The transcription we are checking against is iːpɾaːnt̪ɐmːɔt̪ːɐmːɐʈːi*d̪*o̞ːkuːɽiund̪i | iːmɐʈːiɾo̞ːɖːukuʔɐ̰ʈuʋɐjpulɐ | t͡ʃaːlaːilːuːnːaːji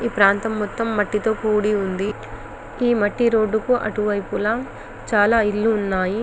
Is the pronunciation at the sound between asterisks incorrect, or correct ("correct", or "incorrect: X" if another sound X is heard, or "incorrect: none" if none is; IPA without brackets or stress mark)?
incorrect: t̪